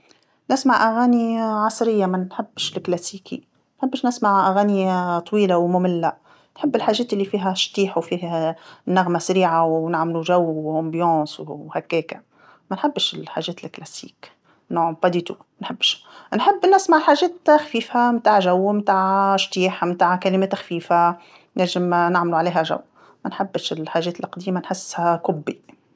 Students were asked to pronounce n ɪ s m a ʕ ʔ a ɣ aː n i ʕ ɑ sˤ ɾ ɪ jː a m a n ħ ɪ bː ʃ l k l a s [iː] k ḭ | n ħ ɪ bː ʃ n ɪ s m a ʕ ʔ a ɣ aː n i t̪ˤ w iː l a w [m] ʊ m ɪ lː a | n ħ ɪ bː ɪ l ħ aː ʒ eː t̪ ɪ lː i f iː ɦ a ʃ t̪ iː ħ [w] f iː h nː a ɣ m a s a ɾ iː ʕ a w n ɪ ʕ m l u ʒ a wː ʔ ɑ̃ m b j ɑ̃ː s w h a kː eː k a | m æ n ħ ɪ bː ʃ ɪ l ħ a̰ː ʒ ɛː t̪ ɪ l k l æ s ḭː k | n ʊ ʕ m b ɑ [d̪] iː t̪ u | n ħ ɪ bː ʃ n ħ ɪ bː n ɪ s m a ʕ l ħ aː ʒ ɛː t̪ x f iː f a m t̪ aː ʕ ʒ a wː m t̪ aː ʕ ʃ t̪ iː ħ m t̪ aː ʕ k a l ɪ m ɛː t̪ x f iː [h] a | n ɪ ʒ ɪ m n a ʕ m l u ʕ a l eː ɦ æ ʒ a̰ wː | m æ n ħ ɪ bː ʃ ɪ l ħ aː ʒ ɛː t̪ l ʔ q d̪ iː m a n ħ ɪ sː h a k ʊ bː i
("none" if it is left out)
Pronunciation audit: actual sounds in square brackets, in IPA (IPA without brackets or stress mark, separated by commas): iː, m, w, d̪, f